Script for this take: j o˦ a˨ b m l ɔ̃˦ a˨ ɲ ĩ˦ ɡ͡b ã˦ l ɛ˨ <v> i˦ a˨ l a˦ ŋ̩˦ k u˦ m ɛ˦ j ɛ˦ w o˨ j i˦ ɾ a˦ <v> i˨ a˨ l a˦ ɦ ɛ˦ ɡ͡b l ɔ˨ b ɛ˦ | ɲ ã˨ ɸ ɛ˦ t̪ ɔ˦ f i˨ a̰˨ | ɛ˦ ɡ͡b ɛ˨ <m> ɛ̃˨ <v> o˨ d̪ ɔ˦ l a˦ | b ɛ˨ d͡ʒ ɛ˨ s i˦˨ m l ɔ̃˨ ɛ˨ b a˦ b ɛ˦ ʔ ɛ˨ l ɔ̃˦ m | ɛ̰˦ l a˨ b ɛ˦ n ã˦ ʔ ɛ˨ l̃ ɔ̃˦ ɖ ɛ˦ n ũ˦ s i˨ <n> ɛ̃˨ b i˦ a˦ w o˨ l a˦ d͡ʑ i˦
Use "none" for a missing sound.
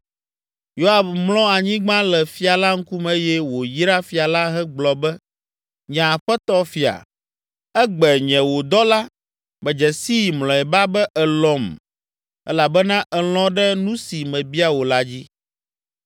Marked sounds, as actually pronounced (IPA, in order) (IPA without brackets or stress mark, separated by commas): f, f, ɲ, w, m